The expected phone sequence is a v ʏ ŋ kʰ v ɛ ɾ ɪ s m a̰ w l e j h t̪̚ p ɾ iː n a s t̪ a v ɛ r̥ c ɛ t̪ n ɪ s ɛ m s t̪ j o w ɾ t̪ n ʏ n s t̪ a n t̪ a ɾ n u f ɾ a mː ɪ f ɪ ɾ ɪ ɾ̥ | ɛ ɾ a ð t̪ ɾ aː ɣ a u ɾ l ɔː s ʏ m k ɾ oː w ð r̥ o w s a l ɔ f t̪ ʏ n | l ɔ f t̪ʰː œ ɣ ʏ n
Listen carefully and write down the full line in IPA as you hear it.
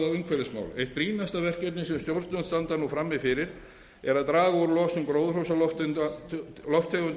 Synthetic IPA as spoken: a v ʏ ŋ kʰ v ɛ ɾ ɪ s m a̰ w l e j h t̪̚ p ɾ iː n a s t̪ a v ɛ r̥ c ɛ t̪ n ɪ s ɛ m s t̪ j o w ɾ t̪ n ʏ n s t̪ a n t̪ a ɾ n u f ɾ a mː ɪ f ɪ ɾ ɪ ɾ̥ | ɛ ɾ a ð t̪ ɾ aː ɣ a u ɾ l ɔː s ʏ m k ɾ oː w ð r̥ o w s a l ɔ f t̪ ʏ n | l ɔ f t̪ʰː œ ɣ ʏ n

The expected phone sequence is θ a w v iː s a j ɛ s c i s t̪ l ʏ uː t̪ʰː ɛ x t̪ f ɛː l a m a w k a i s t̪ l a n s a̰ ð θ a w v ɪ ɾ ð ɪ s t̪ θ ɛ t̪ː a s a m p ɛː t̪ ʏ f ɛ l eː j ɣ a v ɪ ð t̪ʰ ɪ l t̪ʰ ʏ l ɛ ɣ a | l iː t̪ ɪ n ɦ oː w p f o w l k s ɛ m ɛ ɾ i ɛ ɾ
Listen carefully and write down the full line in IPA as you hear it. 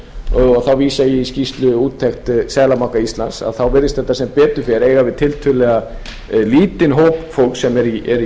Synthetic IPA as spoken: θ a w v iː s a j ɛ s c i s t̪ l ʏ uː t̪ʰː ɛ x t̪ s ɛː l a m a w k a i s t̪ l a n s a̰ ð θ a w v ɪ ɾ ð ɪ s t̪ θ ɛ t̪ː a s ɛ m p ɛː t̪ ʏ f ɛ ɾ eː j ɣ a v ɪ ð t̪ʰ ɪ l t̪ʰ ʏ l ɛ ɣ a | l iː t̪ ɪ n ɦ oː w p f o w l k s ɛ m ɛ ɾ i ɛ ɾ

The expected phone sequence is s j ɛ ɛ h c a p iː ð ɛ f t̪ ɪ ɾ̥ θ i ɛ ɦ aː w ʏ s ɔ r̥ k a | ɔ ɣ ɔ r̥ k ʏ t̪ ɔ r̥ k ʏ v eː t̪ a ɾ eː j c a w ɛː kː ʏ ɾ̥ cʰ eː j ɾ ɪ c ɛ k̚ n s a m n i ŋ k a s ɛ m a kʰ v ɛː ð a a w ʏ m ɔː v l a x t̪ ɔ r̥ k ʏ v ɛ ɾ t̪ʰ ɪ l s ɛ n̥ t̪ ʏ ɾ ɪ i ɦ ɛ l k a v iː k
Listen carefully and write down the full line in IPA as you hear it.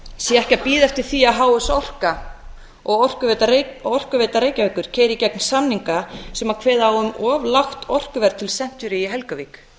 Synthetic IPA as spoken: s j ɛ ɛ h c a p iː ð ɛ f t̪ ɪ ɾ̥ θ i a ɦ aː w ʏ s ɔ r̥ k a | ɔ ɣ ɔ r̥ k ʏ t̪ ɔ r̥ k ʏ v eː t̪ a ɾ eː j c a v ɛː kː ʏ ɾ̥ cʰ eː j ɾ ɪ c ɛ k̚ n s a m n i ŋ k a s ɛ m a kʰ v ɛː ð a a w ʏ m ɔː v l a x t̪ ɔ r̥ k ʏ v ɛ ɾ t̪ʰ ɪ l s ɛ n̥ t̪ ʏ ɾ ɪ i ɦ ɛ l k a v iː k

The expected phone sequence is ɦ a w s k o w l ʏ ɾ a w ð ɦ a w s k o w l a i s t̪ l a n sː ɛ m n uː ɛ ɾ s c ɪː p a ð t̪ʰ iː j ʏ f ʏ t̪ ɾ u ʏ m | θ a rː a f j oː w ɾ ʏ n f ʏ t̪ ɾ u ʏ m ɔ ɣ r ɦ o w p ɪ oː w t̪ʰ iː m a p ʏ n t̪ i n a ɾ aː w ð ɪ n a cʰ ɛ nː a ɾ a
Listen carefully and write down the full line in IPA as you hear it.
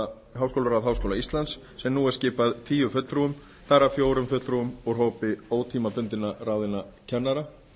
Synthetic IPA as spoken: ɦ a w s k o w l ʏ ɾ a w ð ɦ a w s k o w l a i s t̪ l a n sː ɛ m n uː ɛ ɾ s c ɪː p a ð t̪ʰ iː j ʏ f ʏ t̪ ɾ u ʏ m | θ a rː a f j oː w ɾ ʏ m f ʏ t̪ ɾ u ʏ m ɔ ɣ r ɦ o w p ɪ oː w t̪ʰ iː m a p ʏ n t̪ ɪ n a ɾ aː w ð ɪ n a cʰ ɛ nː a ɾ a

